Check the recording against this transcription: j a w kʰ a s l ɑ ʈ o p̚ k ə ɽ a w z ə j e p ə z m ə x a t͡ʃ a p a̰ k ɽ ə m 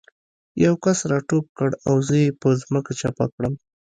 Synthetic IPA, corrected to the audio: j a w k a s ɾ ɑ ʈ o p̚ k ə ɽ a w z ə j e p ə z m ə k a t͡ʃ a p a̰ k ɽ ə m

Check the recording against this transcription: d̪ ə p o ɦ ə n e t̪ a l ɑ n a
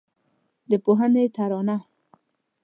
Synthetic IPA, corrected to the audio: d̪ ə p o ɦ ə n e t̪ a ɾ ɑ n a

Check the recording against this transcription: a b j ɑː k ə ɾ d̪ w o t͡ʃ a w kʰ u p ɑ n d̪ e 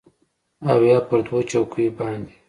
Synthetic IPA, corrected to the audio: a w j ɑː p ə ɾ d̪ w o t͡ʃ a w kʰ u b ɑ n d̪ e

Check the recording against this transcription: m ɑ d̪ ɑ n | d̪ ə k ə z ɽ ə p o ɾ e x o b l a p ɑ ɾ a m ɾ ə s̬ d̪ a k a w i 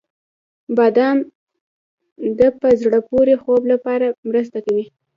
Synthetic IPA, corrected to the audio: b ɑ d̪ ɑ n | d̪ ə p ə z ɽ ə p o ɾ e x o b l a p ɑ ɾ a m ɾ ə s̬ t̪ a k a w i

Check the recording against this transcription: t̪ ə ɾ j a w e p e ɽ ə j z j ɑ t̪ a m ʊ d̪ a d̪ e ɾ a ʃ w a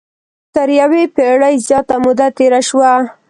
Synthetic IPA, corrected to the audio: t̪ ə ɾ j a w e p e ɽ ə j z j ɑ t̪ a m ʊ d̪ a t̪ e ɾ a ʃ w a

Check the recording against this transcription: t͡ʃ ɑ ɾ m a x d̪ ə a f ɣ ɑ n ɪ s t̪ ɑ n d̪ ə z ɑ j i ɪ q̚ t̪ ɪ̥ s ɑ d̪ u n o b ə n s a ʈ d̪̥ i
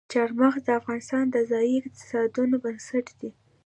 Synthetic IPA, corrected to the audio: t͡ʃ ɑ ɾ m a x d̪ ə a f ɣ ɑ n ɪ s t̪ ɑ n d̪ ə z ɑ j i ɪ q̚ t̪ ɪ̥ s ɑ d̪ u n o b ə n s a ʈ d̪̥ i

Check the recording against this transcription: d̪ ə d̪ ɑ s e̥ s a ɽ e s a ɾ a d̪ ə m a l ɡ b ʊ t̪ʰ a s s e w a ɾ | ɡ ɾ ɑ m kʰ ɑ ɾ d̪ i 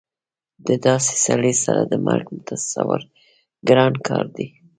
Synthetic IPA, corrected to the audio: d̪ ə d̪ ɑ s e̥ s a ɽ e s a ɾ a d̪ ə m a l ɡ m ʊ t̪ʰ a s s a w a ɾ | ɡ ɾ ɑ n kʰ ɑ ɾ d̪ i

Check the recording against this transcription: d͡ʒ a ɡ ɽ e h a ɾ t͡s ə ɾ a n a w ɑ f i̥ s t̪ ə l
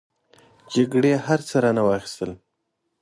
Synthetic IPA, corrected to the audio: d͡ʒ a ɡ ɽ e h a ɾ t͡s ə ɾ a n a w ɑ x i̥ s t̪ ə l

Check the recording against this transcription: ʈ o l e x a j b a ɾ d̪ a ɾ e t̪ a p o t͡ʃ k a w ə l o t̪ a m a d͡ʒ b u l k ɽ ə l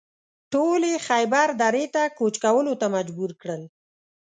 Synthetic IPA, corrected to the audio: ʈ o l e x a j b a ɾ d̪ a ɾ e t̪ a k o t͡ʃ k a w ə l o t̪ a m a d͡ʒ b u ɾ k ɽ ə l

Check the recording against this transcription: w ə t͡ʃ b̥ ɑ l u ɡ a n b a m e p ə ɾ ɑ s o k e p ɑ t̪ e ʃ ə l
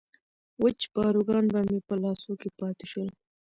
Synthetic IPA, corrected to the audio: w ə t͡ʃ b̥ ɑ ɾ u ɡ ɑ n b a m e p ə l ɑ s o k e p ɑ t̪ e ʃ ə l

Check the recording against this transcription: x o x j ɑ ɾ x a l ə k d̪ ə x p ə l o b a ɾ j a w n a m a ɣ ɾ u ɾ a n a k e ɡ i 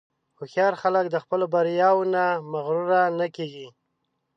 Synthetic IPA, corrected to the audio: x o x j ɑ ɾ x a l ə k d̪ ə x p ə l o b a ɾ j ɑ w n a m a ɣ ɾ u ɾ a n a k e ɡ i

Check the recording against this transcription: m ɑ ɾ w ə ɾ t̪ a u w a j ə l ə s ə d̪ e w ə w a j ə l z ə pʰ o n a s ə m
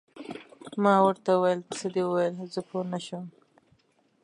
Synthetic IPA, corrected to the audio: m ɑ w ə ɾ t̪ a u w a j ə l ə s ə d̪ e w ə w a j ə l z ə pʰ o n a ʃ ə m

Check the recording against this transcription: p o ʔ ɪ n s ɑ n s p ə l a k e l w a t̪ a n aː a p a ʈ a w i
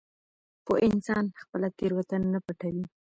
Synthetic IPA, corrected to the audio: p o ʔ ɪ n s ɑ n x p ə l a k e ɾ w a t̪ a n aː a p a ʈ a w i

